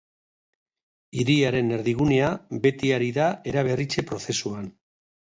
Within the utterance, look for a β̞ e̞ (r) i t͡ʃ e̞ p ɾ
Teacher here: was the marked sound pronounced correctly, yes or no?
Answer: yes